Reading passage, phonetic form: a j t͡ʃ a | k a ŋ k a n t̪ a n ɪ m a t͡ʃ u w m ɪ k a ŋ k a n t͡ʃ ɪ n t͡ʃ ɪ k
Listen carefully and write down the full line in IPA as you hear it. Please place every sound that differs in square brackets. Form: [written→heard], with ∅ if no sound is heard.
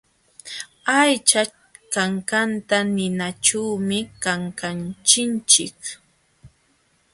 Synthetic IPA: a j t͡ʃ a | k a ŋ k a n t̪ a n ɪ [m→n] a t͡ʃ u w m ɪ k a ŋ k a n t͡ʃ ɪ n t͡ʃ ɪ k